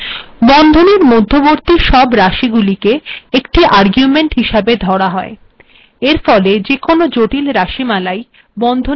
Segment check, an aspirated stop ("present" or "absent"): absent